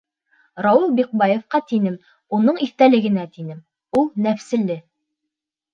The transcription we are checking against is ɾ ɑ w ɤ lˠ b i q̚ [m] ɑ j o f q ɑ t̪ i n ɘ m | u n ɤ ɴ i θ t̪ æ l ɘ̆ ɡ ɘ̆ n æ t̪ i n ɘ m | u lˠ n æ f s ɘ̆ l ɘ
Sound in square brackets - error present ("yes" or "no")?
yes